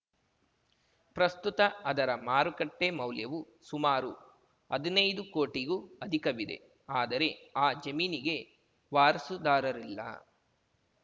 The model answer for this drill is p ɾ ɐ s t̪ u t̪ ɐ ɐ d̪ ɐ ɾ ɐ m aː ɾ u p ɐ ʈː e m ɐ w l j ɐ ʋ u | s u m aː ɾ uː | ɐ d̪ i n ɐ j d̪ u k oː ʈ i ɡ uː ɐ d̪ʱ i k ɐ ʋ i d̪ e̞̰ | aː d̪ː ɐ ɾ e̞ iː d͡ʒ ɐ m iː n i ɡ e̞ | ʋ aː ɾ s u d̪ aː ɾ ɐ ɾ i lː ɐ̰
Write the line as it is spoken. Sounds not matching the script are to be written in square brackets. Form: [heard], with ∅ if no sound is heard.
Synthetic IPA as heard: p ɾ ɐ s t̪ u t̪ ɐ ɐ d̪ ɐ ɾ ɐ m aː ɾ u [k] ɐ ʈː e m ɐ w l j ɐ ʋ u | s u m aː ɾ [u] | ɐ d̪ i n ɐ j d̪ u k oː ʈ i ɡ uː ɐ d̪ʱ i k ɐ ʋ i d̪ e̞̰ | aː [d̪] ɐ ɾ e̞ [aː] d͡ʒ ɐ m iː n i ɡ e̞ | ʋ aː ɾ s u d̪ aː ɾ ɐ ɾ i lː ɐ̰

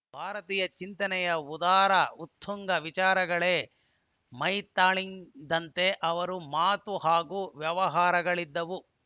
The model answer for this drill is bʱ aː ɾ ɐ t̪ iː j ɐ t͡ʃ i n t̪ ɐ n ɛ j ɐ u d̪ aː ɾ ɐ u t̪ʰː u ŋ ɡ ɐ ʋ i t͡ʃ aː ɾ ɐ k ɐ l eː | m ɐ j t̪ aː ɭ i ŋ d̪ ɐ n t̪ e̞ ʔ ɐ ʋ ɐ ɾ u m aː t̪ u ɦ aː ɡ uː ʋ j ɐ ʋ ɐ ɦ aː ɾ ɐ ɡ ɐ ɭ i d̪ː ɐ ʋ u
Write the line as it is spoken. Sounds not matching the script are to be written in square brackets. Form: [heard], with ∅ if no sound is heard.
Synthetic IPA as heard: bʱ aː ɾ ɐ t̪ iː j ɐ t͡ʃ i n t̪ ɐ n ɛ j ɐ u d̪ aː ɾ ɐ u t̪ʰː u ŋ ɡ ɐ ʋ i t͡ʃ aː ɾ ɐ [ɡ] ɐ [ɭ] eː | m ɐ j t̪ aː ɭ i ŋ d̪ ɐ n t̪ e̞ ʔ ɐ ʋ ɐ ɾ u m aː t̪ u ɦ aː ɡ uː ʋ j ɐ ʋ ɐ ɦ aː ɾ ɐ ɡ ɐ ɭ i d̪ː ɐ ʋ u

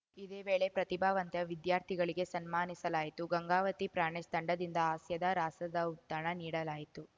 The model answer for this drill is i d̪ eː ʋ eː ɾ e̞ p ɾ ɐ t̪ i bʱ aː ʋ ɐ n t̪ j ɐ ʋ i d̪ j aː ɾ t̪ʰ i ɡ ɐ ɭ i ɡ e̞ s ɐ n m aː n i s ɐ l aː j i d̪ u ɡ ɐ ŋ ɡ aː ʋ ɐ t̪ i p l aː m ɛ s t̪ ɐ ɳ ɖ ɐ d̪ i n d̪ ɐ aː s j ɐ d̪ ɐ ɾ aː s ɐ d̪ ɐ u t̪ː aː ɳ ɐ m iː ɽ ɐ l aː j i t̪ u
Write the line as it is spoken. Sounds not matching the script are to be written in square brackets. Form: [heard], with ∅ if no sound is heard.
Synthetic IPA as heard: i d̪ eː ʋ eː [ɭ] e̞ p ɾ ɐ t̪ i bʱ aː ʋ ɐ n t̪ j ɐ ʋ i d̪ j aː ɾ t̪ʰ i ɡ ɐ ɭ i ɡ e̞ s ɐ n m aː n i s ɐ l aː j i [t̪] u ɡ ɐ ŋ ɡ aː ʋ ɐ t̪ i p [ɾ] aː [ɳ] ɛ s t̪ ɐ ɳ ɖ ɐ d̪ i n d̪ ɐ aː s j ɐ d̪ ɐ ɾ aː s ɐ d̪ ɐ u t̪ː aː ɳ ɐ [n] iː ɽ ɐ l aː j i t̪ u

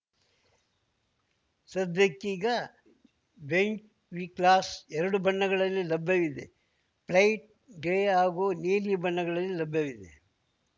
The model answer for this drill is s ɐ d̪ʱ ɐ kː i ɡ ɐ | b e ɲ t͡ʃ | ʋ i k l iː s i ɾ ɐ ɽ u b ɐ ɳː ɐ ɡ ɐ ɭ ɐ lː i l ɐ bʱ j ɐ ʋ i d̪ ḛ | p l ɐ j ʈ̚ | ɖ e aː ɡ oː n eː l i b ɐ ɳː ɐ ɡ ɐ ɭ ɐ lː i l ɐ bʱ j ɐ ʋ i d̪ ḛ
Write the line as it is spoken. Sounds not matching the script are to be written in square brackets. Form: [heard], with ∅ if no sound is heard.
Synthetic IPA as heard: s ɐ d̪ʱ ɐ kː i ɡ ɐ | b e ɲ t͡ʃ | ʋ i k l [aː] s [ɛ] ɾ ɐ ɽ u b ɐ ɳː ɐ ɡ ɐ ɭ ɐ lː i l ɐ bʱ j ɐ ʋ i d̪ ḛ | p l ɐ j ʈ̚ | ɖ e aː ɡ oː n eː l i b ɐ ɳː ɐ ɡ ɐ ɭ ɐ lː i l ɐ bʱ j ɐ ʋ i d̪ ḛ

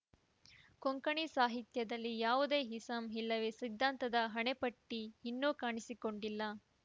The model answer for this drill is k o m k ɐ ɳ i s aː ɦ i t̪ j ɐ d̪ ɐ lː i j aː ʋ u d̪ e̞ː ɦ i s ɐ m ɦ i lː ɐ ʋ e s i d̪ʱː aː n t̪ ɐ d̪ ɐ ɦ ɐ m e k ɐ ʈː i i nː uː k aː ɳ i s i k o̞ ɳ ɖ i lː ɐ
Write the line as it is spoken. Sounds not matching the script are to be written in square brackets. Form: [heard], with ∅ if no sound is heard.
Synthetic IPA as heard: k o [ŋ] k ɐ ɳ i s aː ɦ i t̪ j ɐ d̪ ɐ lː i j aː ʋ u d̪ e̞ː ɦ i s ɐ m ɦ i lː ɐ ʋ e s i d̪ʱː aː n t̪ ɐ d̪ ɐ ɦ ɐ [ɳ] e [p] ɐ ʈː i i nː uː k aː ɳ i s i k o̞ ɳ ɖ i lː ɐ

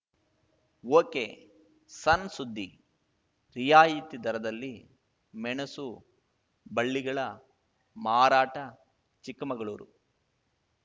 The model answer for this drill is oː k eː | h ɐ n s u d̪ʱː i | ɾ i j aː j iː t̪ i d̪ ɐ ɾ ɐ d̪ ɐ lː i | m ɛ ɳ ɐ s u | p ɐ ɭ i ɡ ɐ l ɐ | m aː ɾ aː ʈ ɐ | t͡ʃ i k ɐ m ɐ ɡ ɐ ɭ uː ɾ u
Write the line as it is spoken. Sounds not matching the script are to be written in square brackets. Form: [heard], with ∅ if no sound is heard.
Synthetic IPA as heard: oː k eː | [s] ɐ n s u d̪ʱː i | ɾ i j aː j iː t̪ i d̪ ɐ ɾ ɐ d̪ ɐ lː i | m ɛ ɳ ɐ s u | [b] ɐ [ɭː] i ɡ ɐ [ɭ] ɐ | m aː ɾ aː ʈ ɐ | t͡ʃ i k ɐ m ɐ ɡ ɐ ɭ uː ɾ u

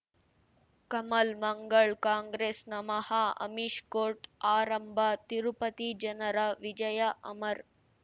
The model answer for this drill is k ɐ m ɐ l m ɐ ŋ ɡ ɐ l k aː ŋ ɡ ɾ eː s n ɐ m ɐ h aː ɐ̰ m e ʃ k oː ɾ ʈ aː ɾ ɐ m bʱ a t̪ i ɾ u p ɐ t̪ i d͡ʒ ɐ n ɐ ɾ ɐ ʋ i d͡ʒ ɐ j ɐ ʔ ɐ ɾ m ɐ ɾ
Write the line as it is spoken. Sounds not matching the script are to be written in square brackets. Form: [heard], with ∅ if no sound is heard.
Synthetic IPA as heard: k ɐ m ɐ l m ɐ ŋ ɡ ɐ [ɭ] k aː ŋ ɡ ɾ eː s n ɐ m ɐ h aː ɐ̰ m [i] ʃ k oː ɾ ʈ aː ɾ ɐ m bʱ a t̪ i ɾ u p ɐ t̪ i d͡ʒ ɐ n ɐ ɾ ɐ ʋ i d͡ʒ ɐ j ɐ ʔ ɐ [∅] m ɐ ɾ

